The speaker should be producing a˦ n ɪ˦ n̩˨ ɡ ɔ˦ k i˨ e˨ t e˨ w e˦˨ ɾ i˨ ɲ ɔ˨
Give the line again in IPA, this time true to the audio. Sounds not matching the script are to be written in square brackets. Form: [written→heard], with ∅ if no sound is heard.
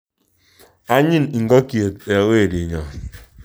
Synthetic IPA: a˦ [n→ɲ] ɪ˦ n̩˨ ɡ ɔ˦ k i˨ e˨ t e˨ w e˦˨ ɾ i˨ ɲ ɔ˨